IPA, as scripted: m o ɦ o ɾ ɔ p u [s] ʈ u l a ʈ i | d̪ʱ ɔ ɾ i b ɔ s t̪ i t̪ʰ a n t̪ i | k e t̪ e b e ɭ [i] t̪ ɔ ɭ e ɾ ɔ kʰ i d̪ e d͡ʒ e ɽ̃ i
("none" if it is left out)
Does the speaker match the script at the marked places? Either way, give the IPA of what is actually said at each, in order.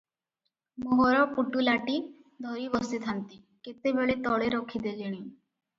none, e

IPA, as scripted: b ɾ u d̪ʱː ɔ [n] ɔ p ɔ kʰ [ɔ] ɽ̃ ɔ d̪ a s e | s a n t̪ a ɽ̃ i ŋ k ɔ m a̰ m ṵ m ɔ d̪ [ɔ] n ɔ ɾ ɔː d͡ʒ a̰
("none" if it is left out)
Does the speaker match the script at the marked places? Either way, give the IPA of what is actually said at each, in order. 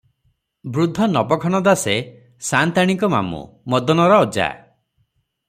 n, ɔ, ɔ

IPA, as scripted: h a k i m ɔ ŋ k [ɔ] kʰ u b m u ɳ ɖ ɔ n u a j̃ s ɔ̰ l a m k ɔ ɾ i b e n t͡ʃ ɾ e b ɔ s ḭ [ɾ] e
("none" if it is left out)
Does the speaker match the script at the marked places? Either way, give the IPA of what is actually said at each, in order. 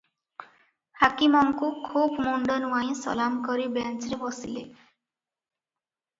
u, l

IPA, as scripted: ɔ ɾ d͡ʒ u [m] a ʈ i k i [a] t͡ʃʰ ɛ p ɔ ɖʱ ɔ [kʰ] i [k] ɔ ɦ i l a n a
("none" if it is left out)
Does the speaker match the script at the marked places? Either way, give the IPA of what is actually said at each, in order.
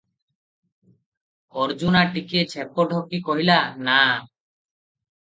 n, e, k, k

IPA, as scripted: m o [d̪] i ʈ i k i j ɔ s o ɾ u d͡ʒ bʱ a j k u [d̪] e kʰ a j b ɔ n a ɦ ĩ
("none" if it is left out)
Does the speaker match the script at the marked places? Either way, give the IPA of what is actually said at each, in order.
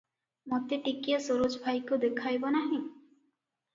t̪, d̪

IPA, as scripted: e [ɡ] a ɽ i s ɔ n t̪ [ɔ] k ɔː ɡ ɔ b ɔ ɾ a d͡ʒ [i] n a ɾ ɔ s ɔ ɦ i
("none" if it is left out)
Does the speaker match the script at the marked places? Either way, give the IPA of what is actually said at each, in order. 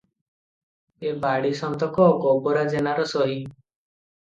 b, ɔ, e

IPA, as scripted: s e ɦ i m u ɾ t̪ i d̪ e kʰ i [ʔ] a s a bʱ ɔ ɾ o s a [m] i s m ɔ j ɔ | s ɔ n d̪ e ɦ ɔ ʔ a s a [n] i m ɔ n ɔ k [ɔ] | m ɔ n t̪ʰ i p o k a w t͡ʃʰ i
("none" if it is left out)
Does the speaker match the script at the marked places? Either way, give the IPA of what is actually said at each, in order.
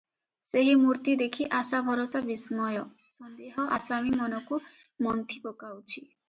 ʔ, b, m, u

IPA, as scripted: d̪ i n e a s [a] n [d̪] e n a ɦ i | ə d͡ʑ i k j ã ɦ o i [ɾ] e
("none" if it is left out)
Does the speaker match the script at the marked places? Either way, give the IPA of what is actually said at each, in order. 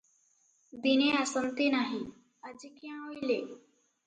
ə, t̪, l

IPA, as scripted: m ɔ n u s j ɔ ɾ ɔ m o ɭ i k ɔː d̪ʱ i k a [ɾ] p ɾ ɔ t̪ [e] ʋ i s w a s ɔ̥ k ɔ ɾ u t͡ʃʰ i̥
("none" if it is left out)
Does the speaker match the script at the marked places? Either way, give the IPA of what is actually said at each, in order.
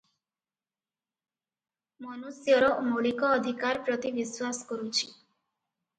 ɾ, i

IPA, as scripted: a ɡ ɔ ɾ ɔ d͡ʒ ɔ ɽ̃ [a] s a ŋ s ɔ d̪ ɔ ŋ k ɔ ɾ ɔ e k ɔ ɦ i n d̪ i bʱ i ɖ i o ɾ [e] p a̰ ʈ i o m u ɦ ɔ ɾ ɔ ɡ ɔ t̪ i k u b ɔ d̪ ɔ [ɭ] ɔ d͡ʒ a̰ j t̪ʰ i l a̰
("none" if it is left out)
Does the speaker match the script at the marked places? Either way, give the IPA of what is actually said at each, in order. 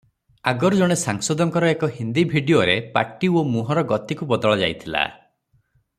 e, e, ɭ

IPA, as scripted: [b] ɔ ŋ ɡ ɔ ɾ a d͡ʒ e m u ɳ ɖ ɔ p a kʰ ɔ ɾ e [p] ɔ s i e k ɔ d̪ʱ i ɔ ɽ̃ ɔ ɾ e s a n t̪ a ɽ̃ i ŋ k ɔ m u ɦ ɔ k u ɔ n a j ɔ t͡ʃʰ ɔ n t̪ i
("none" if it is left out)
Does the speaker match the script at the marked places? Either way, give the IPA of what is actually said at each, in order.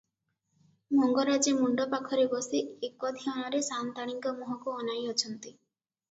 m, b

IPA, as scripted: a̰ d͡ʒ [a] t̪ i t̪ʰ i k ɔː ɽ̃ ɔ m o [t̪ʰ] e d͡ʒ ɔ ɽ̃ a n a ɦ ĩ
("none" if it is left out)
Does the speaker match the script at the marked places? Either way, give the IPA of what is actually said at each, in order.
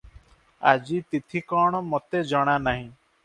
i, t̪

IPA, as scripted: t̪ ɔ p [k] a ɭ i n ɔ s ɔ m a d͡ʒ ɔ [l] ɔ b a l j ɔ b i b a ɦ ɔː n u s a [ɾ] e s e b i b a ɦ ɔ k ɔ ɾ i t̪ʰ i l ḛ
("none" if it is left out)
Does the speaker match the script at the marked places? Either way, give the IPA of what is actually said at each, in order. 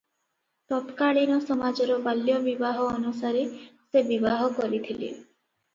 k, ɾ, ɾ

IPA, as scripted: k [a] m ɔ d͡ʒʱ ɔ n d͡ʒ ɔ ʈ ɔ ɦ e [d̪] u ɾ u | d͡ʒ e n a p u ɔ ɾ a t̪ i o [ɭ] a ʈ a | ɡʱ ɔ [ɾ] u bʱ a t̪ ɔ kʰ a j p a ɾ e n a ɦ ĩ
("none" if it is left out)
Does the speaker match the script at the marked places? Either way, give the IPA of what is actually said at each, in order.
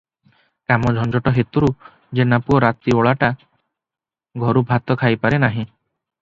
a, t̪, ɭ, ɾ

